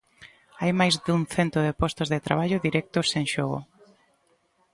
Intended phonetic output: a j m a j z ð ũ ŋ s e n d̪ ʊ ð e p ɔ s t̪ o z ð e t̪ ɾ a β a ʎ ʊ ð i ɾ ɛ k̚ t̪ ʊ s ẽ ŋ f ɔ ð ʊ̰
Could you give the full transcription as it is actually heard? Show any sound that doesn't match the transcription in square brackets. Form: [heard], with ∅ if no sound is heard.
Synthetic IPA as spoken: a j m a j z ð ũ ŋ [θ] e n [t̪] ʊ ð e p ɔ s t̪ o z ð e t̪ ɾ a β a ʎ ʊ ð i ɾ ɛ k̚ t̪ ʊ s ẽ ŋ [ʃ] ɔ [ɣ] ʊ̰